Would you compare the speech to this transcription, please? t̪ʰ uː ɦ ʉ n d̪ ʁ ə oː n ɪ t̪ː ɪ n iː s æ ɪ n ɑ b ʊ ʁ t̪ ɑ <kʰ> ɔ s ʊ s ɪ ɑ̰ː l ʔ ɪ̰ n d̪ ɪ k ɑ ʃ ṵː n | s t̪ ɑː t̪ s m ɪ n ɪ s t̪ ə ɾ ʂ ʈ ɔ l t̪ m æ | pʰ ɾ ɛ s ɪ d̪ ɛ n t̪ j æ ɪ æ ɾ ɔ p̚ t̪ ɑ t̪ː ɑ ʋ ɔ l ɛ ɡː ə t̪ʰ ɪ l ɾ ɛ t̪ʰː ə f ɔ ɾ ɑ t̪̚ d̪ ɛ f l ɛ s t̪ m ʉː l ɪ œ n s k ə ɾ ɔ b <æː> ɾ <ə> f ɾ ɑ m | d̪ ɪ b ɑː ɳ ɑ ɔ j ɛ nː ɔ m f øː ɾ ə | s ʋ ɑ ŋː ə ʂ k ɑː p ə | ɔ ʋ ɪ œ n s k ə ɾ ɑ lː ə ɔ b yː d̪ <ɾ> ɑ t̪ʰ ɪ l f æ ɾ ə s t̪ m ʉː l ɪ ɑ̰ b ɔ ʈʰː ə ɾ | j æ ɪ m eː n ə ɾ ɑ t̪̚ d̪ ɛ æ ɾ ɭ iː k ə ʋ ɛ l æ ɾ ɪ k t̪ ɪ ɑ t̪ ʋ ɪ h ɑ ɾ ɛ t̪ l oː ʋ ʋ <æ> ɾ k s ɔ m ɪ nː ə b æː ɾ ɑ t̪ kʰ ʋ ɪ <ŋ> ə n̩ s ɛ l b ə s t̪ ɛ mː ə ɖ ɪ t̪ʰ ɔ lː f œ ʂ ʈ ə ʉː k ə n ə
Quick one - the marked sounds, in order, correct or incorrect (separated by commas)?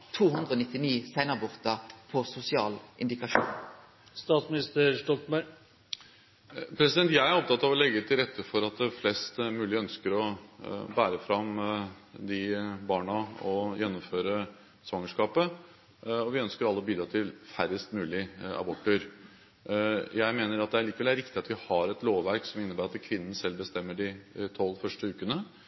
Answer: incorrect, correct, correct, correct, correct, incorrect